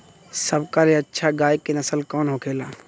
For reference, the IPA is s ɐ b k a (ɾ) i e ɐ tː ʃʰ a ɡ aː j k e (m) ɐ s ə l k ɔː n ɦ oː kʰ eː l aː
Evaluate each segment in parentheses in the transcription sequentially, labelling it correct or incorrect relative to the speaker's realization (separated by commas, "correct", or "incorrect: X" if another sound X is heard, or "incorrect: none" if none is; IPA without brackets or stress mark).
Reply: incorrect: l, incorrect: n